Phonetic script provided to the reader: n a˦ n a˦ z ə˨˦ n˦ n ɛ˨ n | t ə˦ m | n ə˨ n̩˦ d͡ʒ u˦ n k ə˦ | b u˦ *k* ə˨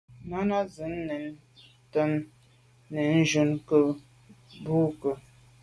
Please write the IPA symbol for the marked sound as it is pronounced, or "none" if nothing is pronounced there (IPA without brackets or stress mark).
k